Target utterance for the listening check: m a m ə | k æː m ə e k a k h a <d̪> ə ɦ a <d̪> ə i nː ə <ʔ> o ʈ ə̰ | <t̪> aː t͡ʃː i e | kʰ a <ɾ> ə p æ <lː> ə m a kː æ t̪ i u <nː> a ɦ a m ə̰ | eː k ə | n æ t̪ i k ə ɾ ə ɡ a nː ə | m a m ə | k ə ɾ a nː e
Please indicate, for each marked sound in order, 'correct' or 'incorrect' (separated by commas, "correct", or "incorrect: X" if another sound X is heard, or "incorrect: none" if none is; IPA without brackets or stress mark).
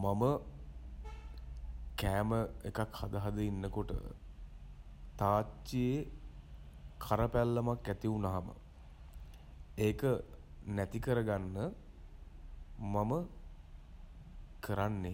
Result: correct, correct, incorrect: k, correct, correct, correct, incorrect: n